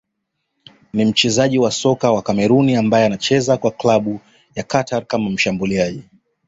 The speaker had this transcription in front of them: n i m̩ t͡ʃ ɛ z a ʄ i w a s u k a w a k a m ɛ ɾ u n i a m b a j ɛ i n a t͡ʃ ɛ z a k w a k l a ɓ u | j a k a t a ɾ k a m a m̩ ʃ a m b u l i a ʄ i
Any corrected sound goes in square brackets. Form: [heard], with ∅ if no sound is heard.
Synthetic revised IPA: n i m̩ t͡ʃ ɛ z a ʄ i w a s [ɔ] k a w a k a m ɛ ɾ u n i a m b a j ɛ [a] n a t͡ʃ ɛ z a k w a k l a ɓ u | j a k a t a ɾ k a m a m̩ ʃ a m b u l i a ʄ i